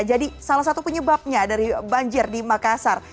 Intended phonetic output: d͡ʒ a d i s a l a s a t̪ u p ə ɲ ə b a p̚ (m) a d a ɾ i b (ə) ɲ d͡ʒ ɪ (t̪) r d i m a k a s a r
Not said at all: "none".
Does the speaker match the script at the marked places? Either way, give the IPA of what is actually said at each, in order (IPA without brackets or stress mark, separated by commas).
ɲ, a, none